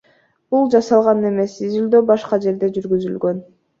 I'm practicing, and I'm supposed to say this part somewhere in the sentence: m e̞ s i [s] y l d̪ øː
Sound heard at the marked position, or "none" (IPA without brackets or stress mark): z